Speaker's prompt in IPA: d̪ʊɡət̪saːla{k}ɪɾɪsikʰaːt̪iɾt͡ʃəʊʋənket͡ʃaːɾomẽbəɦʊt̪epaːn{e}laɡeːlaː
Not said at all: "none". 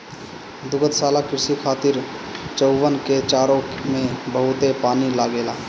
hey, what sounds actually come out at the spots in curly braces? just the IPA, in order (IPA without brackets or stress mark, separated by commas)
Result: k, i